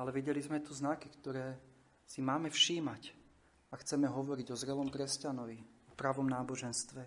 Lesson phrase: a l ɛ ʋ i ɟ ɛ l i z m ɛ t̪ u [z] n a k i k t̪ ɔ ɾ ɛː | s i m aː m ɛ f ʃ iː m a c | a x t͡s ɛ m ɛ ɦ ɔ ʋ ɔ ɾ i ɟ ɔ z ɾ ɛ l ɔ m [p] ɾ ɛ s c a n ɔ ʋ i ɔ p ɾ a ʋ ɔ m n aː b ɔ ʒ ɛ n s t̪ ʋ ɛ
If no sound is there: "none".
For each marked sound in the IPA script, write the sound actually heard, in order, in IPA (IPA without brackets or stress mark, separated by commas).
z, k